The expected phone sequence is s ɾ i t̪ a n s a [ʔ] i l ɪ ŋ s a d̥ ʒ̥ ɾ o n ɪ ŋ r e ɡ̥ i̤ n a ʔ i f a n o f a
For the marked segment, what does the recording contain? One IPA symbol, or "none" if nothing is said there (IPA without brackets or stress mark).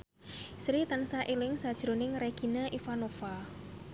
ʔ